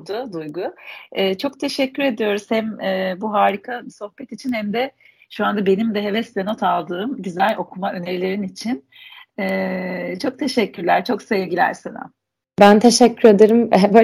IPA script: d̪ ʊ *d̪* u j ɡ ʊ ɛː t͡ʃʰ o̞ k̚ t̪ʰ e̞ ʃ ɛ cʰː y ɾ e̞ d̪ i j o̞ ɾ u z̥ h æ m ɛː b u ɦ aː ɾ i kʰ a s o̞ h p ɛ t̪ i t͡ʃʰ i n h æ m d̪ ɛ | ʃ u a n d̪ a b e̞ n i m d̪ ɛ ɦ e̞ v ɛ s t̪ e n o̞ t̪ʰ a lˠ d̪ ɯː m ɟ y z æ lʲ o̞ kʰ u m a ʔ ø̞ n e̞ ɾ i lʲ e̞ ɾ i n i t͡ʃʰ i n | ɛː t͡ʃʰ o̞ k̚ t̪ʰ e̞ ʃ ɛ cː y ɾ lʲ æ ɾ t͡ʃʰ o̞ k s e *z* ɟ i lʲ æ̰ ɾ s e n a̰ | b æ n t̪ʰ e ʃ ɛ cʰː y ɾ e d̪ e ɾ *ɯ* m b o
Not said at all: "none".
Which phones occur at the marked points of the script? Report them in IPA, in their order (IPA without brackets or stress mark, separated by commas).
d̪, v, ɯ